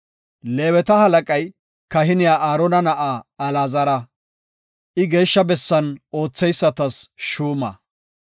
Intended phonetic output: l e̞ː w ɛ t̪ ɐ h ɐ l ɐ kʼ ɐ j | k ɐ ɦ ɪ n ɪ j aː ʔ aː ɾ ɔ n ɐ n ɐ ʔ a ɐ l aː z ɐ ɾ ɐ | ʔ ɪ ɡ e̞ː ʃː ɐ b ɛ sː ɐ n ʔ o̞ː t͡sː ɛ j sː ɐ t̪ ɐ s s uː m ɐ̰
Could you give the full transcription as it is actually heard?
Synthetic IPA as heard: l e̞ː w ɛ t̪ ɐ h ɐ l ɐ kʼ ɐ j | k ɐ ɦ ɪ n ɪ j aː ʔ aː ɾ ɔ n ɐ n ɐ ʔ a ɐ l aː z ɐ ɾ ɐ | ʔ ɪ ɡ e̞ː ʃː ɐ b ɛ sː ɐ n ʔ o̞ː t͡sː ɛ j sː ɐ t̪ ɐ s ʃ uː m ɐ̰